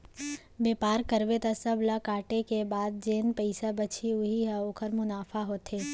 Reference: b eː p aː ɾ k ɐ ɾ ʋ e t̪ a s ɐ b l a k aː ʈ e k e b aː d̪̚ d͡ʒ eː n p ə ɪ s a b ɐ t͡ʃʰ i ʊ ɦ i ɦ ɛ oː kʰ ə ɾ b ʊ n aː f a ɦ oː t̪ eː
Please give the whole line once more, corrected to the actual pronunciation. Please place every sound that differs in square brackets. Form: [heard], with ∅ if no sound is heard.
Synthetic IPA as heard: b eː p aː ɾ k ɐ ɾ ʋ e t̪ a s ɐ b l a k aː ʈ e k e b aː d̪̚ d͡ʒ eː n p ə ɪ s a b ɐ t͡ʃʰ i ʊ ɦ i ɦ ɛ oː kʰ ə ɾ [m] ʊ n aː f a ɦ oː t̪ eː